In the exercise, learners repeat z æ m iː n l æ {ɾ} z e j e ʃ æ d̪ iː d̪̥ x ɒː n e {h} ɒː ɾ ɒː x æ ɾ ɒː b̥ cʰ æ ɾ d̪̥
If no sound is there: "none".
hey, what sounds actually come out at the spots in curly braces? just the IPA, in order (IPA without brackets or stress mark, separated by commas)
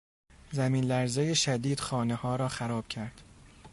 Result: ɾ, h